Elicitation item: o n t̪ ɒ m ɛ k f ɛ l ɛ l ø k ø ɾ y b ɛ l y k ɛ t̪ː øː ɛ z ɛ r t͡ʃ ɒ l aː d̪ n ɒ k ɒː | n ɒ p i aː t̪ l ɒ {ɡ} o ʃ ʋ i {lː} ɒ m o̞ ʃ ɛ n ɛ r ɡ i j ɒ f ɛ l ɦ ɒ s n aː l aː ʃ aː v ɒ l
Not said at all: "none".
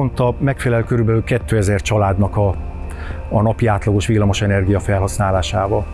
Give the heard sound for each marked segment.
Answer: ɡ, lː

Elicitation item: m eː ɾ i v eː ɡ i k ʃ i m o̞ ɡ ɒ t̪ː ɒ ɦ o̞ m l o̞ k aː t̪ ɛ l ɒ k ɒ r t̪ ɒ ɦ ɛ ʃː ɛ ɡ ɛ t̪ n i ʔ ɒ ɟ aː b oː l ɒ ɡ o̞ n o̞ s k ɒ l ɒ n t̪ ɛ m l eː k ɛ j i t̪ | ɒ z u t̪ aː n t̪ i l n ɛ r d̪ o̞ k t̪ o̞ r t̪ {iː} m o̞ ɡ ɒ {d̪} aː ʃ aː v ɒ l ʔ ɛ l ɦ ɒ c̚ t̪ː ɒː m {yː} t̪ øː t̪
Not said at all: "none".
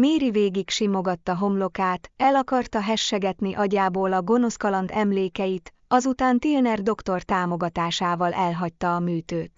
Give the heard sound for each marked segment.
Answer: aː, t̪, yː

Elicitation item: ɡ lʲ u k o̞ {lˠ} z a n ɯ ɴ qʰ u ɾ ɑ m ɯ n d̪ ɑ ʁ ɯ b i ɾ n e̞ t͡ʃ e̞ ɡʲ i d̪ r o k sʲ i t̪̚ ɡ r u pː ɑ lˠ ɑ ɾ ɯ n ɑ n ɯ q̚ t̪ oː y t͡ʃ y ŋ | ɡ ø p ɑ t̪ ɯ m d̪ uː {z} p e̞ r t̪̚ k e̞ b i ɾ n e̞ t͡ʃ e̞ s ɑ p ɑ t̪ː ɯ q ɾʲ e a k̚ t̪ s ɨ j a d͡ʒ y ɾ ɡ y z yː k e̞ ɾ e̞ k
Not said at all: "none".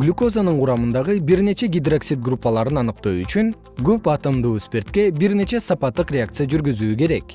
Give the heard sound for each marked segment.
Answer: none, s

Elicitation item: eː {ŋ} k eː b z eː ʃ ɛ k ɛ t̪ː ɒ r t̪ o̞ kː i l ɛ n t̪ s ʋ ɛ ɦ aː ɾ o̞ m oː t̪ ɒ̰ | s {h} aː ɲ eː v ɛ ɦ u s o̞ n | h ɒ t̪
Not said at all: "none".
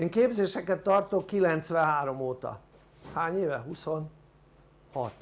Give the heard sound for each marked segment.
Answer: ŋ, h

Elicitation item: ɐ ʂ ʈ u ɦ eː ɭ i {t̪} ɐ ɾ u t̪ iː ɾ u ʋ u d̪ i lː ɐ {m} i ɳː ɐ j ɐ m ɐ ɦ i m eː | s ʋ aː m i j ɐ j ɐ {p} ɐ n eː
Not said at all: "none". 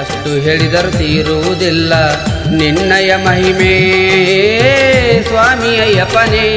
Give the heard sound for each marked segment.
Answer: d̪, n, p

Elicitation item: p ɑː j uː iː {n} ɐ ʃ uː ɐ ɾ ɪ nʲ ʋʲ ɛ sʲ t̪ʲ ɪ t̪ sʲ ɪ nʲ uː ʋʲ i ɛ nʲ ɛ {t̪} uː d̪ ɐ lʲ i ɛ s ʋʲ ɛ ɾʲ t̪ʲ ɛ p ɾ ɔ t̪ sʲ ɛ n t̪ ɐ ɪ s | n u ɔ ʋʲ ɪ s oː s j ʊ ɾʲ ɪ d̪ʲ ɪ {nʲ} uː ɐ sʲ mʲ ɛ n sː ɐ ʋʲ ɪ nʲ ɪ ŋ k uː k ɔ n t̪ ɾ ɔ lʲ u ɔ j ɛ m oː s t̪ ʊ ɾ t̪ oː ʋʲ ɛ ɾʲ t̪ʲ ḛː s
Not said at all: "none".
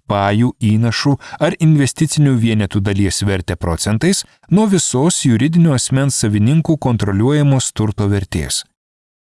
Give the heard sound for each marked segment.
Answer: n, t̪, nʲ

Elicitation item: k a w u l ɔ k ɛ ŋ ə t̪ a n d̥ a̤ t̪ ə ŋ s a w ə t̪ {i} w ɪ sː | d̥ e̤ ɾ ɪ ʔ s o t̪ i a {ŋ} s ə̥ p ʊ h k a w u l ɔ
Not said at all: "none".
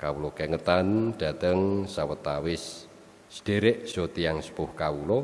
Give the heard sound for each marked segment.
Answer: a, ŋ

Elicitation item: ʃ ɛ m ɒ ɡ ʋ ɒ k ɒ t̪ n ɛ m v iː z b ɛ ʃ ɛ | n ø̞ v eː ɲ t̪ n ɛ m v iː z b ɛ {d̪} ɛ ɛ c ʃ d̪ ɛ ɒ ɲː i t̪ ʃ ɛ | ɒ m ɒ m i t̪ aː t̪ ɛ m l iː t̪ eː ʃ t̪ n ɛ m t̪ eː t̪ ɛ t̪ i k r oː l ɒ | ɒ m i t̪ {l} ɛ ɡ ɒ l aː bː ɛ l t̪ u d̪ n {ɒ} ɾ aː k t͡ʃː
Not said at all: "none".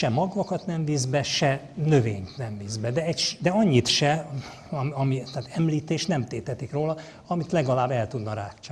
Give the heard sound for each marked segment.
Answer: d̪, l, ɒ

